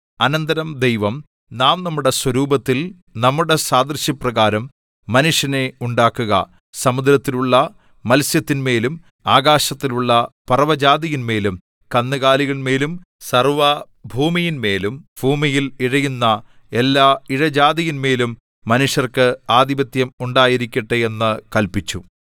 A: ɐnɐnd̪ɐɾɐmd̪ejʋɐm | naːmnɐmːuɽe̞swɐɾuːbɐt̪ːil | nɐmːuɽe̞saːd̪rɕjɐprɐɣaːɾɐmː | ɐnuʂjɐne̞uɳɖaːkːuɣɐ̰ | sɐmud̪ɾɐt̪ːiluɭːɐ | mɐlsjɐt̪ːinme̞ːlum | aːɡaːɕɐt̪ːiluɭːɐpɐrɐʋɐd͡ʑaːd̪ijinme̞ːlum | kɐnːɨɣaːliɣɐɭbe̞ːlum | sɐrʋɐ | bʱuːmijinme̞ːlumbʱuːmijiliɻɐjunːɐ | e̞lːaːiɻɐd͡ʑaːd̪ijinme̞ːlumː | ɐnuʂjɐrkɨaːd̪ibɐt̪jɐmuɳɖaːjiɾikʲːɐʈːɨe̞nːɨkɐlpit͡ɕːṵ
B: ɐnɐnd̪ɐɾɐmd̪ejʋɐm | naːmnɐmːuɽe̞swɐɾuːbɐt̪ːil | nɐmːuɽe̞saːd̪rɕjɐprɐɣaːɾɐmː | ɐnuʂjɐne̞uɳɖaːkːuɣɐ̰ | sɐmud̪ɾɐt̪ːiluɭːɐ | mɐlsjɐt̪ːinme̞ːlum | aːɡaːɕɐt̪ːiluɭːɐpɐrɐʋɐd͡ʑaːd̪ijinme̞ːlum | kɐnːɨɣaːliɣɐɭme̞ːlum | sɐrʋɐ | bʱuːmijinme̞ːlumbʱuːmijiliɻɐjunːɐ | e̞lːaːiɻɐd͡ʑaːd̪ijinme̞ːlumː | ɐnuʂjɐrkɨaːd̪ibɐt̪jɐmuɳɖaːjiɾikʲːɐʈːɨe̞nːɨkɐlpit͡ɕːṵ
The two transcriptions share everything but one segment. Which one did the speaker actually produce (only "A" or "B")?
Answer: B